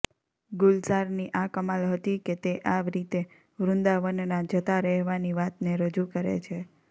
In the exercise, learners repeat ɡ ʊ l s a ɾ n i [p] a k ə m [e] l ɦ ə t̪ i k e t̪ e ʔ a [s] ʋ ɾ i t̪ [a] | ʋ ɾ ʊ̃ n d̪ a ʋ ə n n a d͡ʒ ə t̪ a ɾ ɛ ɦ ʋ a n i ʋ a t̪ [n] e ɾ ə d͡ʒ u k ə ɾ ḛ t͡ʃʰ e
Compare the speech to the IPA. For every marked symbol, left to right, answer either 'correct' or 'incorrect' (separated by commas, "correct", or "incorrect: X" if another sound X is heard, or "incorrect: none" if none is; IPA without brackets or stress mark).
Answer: incorrect: ʔ, incorrect: a, incorrect: none, incorrect: e, correct